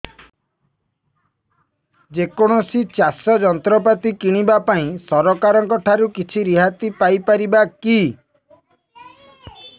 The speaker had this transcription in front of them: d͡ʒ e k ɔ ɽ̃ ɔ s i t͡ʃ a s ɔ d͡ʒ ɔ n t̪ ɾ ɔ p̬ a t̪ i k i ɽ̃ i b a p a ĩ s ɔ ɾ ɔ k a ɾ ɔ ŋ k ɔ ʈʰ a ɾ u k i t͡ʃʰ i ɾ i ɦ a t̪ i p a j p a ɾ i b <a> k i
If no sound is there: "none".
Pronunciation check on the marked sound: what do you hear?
a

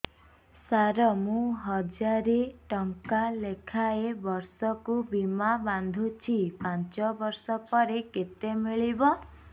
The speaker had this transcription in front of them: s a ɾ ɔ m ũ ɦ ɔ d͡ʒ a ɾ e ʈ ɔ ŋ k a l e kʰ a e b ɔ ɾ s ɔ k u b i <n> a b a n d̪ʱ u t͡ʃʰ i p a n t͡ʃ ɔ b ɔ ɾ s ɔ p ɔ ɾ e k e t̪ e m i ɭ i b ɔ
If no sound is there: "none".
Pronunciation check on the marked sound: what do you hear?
m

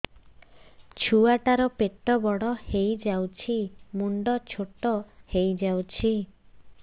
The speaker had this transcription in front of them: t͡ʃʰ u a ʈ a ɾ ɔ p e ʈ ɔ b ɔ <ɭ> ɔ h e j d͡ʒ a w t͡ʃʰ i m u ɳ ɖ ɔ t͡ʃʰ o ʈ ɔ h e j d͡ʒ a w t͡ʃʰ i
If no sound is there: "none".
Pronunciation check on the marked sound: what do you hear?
ɽ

